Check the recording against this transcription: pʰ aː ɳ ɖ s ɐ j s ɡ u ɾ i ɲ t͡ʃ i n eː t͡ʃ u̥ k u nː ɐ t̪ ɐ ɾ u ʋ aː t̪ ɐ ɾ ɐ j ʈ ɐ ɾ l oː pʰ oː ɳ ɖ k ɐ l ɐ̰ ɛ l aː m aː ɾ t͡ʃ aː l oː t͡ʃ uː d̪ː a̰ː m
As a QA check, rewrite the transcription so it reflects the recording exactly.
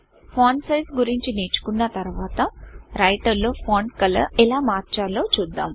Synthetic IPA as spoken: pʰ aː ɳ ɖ s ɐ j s ɡ u ɾ i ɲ t͡ʃ i n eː t͡ʃ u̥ k u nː ɐ t̪ ɐ ɾ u ʋ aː t̪ ɐ ɾ ɐ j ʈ ɐ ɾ l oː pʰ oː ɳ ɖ k ɐ l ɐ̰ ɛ l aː m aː ɾ t͡ʃ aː l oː t͡ʃ uː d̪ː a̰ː m